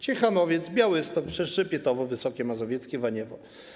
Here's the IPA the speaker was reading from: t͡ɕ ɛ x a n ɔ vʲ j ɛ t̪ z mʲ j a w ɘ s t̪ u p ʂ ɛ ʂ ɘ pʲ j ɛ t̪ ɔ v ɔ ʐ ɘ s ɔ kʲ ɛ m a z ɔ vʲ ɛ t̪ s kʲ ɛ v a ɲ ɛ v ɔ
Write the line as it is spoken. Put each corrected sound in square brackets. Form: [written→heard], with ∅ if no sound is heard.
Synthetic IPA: t͡ɕ ɛ x a n ɔ vʲ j ɛ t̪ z [mʲ→bʲ] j a w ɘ s t̪ [u→ɔ] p ʂ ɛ ʂ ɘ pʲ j ɛ t̪ ɔ v ɔ [ʐ→v] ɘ s ɔ kʲ ɛ m a z ɔ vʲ ɛ t̪ s kʲ ɛ v a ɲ ɛ v ɔ